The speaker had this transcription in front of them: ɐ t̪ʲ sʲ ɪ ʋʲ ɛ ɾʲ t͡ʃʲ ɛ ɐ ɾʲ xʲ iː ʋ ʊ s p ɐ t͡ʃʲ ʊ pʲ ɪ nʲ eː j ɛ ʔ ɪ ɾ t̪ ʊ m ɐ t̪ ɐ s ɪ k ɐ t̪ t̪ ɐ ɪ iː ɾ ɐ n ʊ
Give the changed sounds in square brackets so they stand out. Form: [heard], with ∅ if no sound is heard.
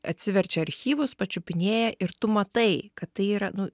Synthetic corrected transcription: ɐ t̪ʲ sʲ ɪ ʋʲ ɛ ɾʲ t͡ʃʲ ɛ ɐ ɾʲ xʲ iː ʋ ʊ s p ɐ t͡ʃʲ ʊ pʲ ɪ nʲ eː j ɛ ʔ ɪ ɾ t̪ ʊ m ɐ t̪ ɐ [∅] ɪ k ɐ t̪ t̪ ɐ ɪ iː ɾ ɐ n ʊ